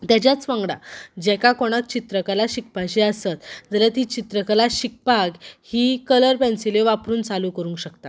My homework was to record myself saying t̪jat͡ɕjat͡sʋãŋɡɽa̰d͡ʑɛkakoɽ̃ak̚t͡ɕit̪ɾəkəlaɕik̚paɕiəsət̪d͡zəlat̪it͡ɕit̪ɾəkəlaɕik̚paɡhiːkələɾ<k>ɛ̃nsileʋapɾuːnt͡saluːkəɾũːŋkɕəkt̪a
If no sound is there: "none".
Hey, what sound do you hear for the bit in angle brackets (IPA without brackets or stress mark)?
p